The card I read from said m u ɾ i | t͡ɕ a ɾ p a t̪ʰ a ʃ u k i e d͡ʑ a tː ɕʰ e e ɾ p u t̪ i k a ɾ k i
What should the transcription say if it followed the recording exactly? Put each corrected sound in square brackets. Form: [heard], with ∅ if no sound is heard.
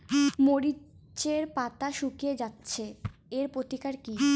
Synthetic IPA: m [o] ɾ i | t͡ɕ [e] ɾ p a [t̪] a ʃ u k i e d͡ʑ a tː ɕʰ e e ɾ p [o] t̪ i k a ɾ k i